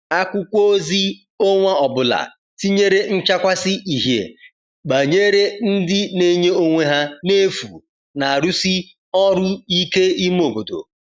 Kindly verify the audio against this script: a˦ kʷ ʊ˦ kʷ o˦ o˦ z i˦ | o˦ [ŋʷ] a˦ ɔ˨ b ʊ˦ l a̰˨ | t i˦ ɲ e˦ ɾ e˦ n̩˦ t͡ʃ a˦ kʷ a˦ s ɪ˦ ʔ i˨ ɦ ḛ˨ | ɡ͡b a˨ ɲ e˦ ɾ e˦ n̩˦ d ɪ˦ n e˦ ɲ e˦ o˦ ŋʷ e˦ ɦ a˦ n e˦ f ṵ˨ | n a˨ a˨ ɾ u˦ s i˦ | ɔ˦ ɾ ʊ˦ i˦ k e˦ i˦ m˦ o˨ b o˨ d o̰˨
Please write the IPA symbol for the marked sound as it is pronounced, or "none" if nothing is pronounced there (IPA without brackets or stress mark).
ŋʷ